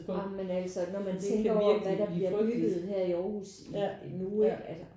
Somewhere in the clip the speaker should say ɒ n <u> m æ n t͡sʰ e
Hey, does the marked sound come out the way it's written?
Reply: no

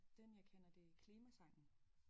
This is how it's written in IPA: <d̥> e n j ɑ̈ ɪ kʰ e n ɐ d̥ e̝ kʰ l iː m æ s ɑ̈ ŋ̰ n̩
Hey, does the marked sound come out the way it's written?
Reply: yes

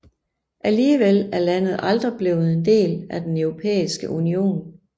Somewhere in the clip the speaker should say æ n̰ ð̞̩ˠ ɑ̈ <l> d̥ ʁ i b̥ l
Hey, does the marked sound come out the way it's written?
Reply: yes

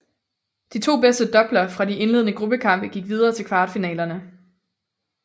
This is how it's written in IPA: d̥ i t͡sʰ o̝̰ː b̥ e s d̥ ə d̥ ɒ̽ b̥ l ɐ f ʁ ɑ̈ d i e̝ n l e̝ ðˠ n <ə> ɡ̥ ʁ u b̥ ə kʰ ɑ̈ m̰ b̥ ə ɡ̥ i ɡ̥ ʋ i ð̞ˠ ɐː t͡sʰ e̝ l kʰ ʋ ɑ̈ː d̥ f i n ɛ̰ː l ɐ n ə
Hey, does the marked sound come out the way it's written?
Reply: yes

